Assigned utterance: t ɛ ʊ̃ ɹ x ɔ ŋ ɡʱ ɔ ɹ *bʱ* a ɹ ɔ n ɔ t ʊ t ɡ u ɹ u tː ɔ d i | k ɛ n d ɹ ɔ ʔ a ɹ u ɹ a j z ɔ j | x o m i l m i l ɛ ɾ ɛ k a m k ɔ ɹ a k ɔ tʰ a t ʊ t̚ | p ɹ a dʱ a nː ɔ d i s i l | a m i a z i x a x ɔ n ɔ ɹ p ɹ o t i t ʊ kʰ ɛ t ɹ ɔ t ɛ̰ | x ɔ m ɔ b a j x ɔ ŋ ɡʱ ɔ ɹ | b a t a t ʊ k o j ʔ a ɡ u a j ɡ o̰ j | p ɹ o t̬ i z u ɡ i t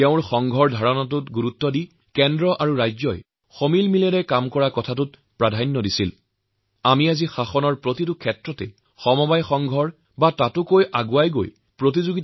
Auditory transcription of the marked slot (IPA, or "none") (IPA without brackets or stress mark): dʱ